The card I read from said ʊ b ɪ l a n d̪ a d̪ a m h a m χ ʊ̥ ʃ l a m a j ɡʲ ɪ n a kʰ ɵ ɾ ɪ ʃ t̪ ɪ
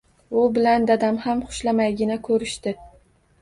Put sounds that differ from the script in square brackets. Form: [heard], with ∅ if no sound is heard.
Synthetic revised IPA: ʊ b ɪ l a n d̪ a d̪ a m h a m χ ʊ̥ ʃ l a m a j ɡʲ ɪ n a kʰ ɵ ɾ ɪ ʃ t̪ ɪ